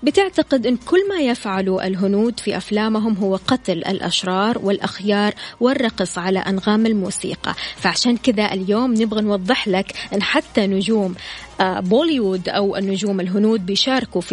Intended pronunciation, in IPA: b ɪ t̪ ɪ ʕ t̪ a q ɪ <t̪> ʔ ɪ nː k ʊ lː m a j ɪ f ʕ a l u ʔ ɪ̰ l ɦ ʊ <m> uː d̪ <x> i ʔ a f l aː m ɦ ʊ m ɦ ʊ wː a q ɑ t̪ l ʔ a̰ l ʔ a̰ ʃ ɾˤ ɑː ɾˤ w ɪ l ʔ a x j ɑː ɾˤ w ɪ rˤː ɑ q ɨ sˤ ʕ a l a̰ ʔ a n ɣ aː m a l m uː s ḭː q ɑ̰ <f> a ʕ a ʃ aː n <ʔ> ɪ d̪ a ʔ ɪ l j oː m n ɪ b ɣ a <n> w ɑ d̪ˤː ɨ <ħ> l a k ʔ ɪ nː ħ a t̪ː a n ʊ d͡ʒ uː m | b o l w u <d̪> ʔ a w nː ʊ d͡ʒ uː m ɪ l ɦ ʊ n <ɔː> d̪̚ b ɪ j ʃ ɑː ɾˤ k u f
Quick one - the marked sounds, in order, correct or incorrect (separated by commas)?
incorrect, incorrect, incorrect, correct, incorrect, correct, correct, correct, incorrect